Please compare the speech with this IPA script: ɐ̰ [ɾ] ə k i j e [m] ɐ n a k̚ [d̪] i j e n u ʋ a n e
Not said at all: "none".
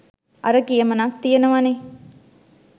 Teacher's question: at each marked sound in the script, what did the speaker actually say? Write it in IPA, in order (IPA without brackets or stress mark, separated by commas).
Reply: ɾ, m, t̪